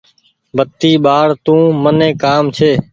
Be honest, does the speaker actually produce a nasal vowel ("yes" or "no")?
yes